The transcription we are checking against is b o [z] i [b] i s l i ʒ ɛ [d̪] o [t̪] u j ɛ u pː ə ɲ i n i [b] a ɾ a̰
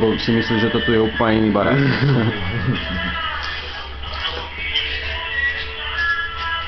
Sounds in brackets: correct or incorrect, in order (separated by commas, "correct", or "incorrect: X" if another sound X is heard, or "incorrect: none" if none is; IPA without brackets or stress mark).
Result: incorrect: s, incorrect: m, incorrect: t̪, correct, correct